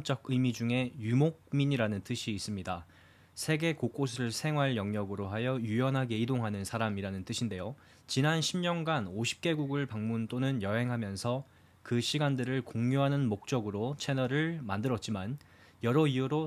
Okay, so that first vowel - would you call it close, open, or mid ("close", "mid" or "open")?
mid